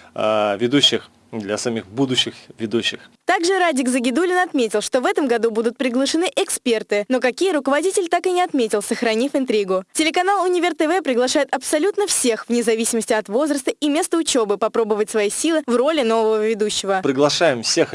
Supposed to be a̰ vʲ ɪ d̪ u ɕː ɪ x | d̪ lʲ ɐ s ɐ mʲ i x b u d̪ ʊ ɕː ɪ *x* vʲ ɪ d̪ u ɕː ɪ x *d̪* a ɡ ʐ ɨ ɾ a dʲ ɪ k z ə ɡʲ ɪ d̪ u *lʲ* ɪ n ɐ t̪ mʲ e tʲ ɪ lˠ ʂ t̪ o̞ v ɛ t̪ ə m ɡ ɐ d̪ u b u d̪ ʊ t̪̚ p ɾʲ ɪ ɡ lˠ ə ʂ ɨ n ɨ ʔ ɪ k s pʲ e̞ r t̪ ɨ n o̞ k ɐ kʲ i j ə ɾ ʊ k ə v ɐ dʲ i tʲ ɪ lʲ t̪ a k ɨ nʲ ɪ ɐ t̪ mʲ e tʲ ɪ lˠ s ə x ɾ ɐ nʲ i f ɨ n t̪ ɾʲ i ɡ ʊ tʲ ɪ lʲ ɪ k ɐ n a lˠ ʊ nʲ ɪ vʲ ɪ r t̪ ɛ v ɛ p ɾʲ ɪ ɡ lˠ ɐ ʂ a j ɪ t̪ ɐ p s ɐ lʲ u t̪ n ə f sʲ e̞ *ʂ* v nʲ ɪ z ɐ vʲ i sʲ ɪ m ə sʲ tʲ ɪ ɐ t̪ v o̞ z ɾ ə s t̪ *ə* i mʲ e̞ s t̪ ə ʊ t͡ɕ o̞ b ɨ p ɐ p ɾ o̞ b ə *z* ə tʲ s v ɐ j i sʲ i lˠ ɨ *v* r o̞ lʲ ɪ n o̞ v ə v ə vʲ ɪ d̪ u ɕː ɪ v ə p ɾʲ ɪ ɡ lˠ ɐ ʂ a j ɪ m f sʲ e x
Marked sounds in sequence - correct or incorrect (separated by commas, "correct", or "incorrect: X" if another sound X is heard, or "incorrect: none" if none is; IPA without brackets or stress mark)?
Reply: correct, incorrect: t̪, correct, incorrect: x, correct, incorrect: v, correct